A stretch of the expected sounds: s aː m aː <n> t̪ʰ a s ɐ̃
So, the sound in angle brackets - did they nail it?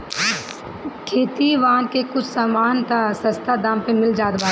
yes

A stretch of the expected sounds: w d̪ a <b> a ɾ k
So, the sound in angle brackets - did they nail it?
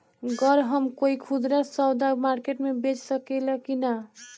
no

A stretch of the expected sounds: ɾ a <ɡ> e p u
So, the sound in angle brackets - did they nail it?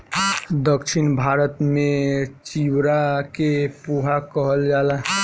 no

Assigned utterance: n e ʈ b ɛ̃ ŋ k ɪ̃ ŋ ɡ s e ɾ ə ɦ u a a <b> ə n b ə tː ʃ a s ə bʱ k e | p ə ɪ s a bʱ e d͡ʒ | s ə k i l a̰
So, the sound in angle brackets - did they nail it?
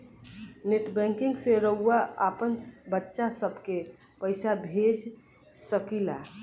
no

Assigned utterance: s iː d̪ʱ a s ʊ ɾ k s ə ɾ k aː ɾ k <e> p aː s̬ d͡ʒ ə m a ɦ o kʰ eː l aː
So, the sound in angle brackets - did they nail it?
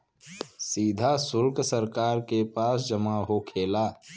yes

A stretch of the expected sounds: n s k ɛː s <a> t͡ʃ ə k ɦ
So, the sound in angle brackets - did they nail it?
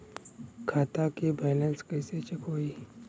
no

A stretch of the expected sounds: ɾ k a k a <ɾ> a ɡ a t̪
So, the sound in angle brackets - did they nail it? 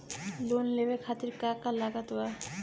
no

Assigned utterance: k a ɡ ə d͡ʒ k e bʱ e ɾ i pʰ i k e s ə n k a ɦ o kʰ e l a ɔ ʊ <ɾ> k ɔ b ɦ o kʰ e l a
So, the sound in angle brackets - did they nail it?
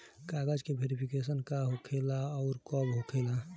yes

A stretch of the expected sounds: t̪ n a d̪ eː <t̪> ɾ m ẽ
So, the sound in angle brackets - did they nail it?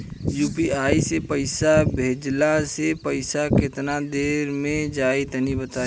no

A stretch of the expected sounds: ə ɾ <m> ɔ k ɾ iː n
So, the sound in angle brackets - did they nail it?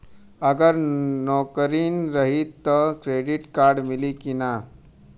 no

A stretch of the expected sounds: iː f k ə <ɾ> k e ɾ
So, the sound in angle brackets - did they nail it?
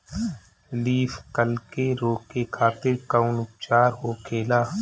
no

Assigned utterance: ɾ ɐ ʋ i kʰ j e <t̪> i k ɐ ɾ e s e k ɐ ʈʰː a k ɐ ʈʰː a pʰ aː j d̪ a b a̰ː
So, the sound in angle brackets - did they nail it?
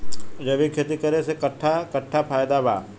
yes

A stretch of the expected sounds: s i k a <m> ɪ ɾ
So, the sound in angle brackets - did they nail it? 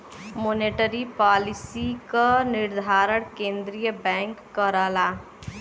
no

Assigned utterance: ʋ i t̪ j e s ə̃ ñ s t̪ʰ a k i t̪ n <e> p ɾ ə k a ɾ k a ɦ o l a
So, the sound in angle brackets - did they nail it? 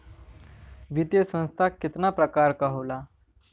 no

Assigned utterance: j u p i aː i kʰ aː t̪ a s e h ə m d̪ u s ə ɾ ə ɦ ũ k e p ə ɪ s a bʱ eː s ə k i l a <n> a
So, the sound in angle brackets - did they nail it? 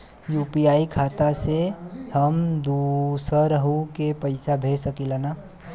yes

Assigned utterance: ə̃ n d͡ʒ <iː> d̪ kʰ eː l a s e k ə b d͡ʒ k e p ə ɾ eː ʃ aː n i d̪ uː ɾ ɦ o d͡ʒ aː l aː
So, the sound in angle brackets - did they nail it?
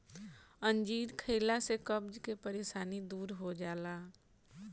yes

